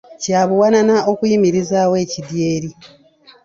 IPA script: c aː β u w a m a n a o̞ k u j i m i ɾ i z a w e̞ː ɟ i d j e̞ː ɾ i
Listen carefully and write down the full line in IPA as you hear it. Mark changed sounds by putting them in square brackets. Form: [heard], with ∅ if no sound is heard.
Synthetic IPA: c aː β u w a [n] a n a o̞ k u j i m i ɾ i z a w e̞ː [c] i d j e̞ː ɾ i